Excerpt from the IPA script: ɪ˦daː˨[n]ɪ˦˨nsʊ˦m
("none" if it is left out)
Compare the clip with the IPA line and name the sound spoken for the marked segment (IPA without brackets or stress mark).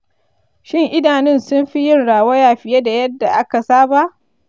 n